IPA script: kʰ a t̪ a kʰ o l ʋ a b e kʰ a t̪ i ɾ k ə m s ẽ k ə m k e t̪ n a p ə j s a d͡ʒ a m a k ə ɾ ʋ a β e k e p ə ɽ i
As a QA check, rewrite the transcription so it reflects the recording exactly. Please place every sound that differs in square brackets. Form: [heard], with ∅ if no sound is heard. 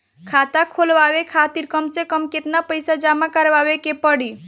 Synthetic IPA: kʰ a t̪ a kʰ o l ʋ a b e kʰ a t̪ i ɾ k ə m s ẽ k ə m k e t̪ n a p ə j s a d͡ʒ a m a k ə ɾ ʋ a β e k e p ə ɽ i